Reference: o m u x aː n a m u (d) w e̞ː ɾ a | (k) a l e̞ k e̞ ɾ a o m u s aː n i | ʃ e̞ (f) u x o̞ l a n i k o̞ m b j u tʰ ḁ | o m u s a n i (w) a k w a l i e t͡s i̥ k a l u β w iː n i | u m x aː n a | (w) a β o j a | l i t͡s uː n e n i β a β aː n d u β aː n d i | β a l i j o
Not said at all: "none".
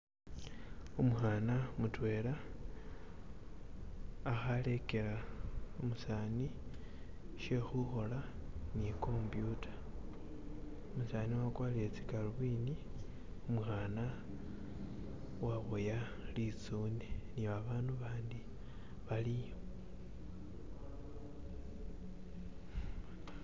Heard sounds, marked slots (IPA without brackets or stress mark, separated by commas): t, x, x, w, w